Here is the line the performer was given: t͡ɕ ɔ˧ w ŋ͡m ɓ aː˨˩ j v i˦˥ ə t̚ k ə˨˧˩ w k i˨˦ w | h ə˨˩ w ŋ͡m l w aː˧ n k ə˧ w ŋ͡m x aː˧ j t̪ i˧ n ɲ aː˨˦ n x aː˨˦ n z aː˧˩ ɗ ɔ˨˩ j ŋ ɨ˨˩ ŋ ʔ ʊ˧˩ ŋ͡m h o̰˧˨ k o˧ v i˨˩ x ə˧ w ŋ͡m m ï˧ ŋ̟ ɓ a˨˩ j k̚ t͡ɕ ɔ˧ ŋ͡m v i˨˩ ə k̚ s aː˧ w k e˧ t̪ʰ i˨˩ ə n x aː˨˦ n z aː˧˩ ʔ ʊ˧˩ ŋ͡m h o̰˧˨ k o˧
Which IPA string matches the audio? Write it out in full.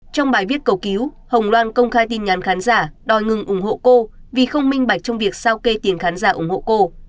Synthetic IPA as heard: t͡ɕ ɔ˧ w ŋ͡m ɓ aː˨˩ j v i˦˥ ə t̚ k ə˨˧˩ w k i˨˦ w | h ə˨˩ w ŋ͡m l w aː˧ n k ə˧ w ŋ͡m x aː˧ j t̪ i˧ n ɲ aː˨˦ n x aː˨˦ n z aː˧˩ ɗ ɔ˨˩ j ŋ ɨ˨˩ ŋ ʔ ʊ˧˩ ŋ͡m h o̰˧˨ k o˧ v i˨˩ x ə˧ w ŋ͡m m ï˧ ŋ̟ ɓ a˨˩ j k̚ t͡ɕ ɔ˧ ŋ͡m v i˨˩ ə k̚ s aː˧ w k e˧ t̪ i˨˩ ə n x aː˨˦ n z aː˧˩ ʔ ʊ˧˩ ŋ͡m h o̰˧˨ k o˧